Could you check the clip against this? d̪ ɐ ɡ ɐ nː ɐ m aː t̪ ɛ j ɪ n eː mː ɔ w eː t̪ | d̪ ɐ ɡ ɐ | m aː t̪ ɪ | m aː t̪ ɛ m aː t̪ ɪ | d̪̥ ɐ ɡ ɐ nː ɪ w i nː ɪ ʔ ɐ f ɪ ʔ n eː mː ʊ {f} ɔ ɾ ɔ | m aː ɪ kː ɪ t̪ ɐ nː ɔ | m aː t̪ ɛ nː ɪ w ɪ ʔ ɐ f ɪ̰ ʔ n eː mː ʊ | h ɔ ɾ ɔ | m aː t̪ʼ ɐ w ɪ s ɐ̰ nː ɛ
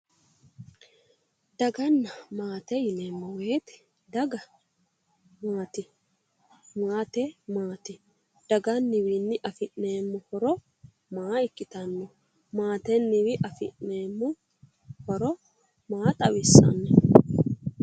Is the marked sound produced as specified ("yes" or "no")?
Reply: no